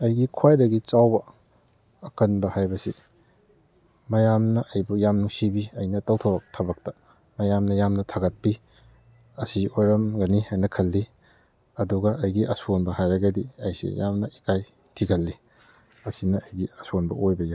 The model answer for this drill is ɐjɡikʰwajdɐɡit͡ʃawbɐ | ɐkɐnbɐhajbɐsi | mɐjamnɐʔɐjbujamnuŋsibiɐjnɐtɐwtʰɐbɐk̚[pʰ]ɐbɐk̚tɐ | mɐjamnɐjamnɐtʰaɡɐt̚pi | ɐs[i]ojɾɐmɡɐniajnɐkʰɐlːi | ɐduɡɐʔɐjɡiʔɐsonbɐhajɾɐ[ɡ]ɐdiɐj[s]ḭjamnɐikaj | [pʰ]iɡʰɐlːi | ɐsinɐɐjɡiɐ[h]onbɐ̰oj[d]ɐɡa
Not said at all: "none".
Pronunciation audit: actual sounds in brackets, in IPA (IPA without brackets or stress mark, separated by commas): tʰ, i, ɡ, s, tʰ, s, b